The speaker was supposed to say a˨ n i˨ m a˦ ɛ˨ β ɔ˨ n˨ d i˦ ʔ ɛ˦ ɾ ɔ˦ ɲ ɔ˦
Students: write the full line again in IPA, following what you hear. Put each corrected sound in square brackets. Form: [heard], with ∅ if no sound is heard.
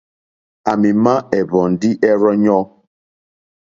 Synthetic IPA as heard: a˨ [m] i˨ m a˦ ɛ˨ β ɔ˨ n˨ d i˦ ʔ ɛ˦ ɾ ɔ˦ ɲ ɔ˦